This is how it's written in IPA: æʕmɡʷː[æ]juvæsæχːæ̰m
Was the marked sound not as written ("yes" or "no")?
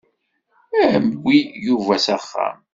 yes